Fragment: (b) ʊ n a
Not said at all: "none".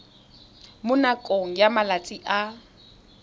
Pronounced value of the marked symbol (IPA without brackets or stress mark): m